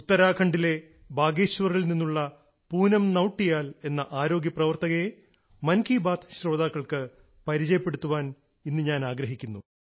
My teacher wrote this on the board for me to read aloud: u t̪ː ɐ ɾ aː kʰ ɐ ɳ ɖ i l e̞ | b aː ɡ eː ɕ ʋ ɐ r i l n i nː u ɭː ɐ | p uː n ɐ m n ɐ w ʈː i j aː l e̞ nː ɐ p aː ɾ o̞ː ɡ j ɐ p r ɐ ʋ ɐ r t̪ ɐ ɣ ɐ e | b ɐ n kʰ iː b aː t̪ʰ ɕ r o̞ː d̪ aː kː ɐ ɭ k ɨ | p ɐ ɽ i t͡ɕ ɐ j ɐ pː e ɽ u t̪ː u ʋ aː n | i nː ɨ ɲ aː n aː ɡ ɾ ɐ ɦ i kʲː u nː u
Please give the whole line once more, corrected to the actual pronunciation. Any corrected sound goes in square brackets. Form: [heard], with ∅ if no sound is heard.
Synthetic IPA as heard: u t̪ː ɐ ɾ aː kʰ ɐ ɳ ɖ i l e̞ | b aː ɡ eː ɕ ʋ ɐ r i l n i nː u ɭː ɐ | p uː n ɐ m n ɐ w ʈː i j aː l e̞ nː ɐ [ʔ] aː ɾ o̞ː ɡ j ɐ p r ɐ ʋ ɐ r t̪ ɐ ɣ ɐ e | [m] ɐ n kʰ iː b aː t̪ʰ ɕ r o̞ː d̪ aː kː ɐ ɭ k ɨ | p ɐ [ɾ] i t͡ɕ ɐ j ɐ pː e ɽ u t̪ː u ʋ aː n | i nː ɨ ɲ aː n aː ɡ ɾ ɐ ɦ i kʲː u nː u

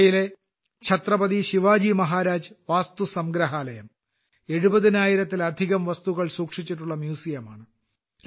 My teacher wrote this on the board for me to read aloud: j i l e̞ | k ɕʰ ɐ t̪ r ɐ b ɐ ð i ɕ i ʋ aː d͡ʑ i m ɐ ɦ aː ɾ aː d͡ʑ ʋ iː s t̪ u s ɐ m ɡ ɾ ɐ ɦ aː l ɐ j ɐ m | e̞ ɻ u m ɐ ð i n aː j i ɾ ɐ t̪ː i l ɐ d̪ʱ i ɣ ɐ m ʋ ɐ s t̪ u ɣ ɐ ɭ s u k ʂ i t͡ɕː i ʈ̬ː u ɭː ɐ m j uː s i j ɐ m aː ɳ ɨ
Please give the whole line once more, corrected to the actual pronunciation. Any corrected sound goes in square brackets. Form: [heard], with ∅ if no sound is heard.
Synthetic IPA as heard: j i l e̞ | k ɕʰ ɐ t̪ r ɐ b ɐ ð i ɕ i ʋ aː d͡ʑ i m ɐ ɦ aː ɾ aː d͡ʑ ʋ [aː] s t̪ u s ɐ m ɡ ɾ ɐ ɦ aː l ɐ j ɐ m | e̞ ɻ u [b] ɐ ð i n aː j i ɾ ɐ t̪ː i l ɐ d̪ʱ i ɣ ɐ m ʋ ɐ s t̪ u ɣ ɐ ɭ s [uː] k ʂ i t͡ɕː i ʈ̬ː u ɭː ɐ m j uː s i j ɐ m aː ɳ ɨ

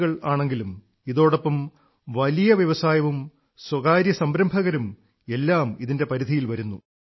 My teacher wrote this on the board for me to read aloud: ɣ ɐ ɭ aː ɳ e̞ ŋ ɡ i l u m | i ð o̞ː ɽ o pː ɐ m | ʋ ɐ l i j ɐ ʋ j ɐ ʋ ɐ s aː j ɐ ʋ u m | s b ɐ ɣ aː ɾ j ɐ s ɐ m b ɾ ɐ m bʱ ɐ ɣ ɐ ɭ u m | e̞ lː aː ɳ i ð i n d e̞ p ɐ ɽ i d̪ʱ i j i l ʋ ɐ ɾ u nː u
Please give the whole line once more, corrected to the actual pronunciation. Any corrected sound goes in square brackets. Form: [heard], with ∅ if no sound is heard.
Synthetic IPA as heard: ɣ ɐ ɭ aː ɳ e̞ ŋ ɡ i l u m | i ð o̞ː ɽ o pː ɐ m | ʋ ɐ l i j ɐ ʋ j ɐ ʋ ɐ s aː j ɐ ʋ u m | s [w] ɐ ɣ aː ɾ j ɐ s ɐ m b ɾ ɐ m bʱ ɐ ɣ ɐ [ɾ] u m | e̞ lː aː [m] i ð i n d e̞ p ɐ [ɾ] i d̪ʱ i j i l ʋ ɐ ɾ u nː u

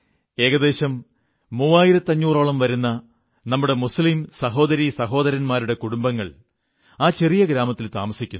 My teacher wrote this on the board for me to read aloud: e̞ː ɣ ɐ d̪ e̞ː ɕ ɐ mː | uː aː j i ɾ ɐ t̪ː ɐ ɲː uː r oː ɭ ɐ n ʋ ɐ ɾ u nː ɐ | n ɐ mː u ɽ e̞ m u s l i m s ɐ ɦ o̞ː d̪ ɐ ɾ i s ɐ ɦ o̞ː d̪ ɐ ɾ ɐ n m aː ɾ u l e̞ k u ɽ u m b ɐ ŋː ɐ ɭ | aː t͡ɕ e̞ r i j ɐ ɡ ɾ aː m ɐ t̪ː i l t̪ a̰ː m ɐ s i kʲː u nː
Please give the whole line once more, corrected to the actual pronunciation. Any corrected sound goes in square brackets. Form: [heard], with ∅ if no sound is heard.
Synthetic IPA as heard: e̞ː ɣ ɐ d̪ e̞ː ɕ ɐ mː | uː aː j i ɾ ɐ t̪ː ɐ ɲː uː r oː ɭ ɐ [m] ʋ ɐ ɾ u nː ɐ | n ɐ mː u ɽ e̞ m u s l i m s ɐ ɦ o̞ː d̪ ɐ ɾ i s ɐ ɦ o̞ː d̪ ɐ ɾ ɐ n m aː ɾ u [ɽ] e̞ k u ɽ u m b ɐ ŋː ɐ ɭ | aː t͡ɕ e̞ r i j ɐ ɡ ɾ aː m ɐ t̪ː i l t̪ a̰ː m ɐ s i kʲː u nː

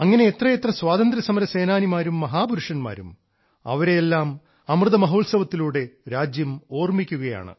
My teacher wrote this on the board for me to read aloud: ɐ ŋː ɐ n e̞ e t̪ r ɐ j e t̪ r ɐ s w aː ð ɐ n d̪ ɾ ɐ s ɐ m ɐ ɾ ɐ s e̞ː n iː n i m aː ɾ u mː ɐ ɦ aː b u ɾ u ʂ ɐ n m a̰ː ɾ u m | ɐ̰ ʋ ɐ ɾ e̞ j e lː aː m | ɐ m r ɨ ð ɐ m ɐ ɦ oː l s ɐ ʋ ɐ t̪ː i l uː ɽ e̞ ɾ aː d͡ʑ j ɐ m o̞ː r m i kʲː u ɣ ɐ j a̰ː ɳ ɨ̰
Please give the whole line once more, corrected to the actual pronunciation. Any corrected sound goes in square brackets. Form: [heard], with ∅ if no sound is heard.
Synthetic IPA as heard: ɐ ŋː ɐ n e̞ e t̪ r ɐ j e t̪ r ɐ s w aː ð ɐ n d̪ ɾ ɐ s ɐ m ɐ ɾ ɐ s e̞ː n [aː] n i m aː ɾ u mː ɐ ɦ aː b u ɾ u ʂ ɐ n m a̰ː ɾ u m | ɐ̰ ʋ ɐ ɾ e̞ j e lː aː m | ɐ m r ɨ ð ɐ m ɐ ɦ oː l s ɐ ʋ ɐ t̪ː i l uː ɽ e̞ ɾ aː d͡ʑ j ɐ m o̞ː r m i kʲː u ɣ ɐ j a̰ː ɳ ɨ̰

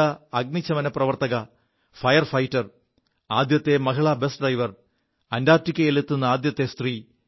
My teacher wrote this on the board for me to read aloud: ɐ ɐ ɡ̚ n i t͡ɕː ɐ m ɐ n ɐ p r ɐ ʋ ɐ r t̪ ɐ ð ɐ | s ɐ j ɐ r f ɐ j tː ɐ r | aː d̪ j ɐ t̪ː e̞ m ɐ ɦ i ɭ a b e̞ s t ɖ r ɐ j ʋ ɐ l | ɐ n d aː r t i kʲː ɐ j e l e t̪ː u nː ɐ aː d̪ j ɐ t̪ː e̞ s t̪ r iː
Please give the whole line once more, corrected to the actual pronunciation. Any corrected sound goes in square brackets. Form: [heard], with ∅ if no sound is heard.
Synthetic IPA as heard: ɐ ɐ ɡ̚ n i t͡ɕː ɐ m ɐ n ɐ p r ɐ ʋ ɐ r t̪ ɐ [ɣ] ɐ | [f] ɐ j ɐ r f ɐ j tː ɐ r | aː d̪ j ɐ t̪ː e̞ m ɐ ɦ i ɭ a b e̞ s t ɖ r ɐ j ʋ ɐ [r] | ɐ n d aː r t i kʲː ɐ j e l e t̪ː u nː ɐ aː d̪ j ɐ t̪ː e̞ s t̪ r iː

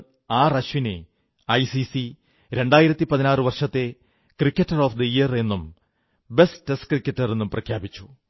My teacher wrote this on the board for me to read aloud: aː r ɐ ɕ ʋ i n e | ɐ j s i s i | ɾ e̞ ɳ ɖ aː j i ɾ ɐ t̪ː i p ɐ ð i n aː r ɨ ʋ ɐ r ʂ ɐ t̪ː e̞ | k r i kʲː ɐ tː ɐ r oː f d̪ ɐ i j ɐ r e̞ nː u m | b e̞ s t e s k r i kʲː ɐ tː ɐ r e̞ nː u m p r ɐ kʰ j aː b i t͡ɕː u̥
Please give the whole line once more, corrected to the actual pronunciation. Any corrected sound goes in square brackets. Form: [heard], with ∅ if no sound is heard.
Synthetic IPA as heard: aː r ɐ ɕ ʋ i n e | ɐ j s i s i | ɾ e̞ ɳ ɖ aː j i ɾ ɐ t̪ː i p ɐ ð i n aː r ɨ ʋ ɐ r ʂ ɐ t̪ː e̞ | k r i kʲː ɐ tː ɐ r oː f d̪ ɐ i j ɐ r e̞ nː u m | b e̞ s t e s k r i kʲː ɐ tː ɐ r e̞ nː u m p r ɐ kʰ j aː b i t͡ɕː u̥

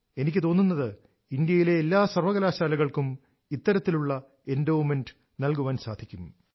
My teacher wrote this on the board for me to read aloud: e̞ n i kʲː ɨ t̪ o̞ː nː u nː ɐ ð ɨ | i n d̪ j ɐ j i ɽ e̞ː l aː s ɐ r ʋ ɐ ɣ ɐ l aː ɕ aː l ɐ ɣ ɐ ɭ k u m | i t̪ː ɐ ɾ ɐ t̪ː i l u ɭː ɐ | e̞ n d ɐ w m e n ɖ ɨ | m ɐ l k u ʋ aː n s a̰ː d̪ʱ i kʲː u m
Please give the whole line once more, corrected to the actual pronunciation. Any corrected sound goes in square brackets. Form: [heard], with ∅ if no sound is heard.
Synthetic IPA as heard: e̞ n i kʲː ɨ t̪ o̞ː nː u nː ɐ ð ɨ | i n d̪ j ɐ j i [l] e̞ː [lː] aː s ɐ r ʋ ɐ ɣ ɐ l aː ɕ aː l ɐ ɣ ɐ ɭ k u m | i t̪ː ɐ ɾ ɐ t̪ː i l u ɭː ɐ | e̞ n d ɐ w m e n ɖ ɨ | [n] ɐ l k u ʋ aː n s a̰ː d̪ʱ i kʲː u m

